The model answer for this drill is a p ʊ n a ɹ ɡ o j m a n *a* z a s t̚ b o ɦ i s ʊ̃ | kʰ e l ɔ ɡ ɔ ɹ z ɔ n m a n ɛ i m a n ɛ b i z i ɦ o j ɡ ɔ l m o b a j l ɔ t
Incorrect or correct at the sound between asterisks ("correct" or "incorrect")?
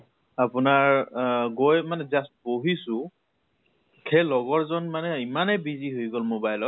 incorrect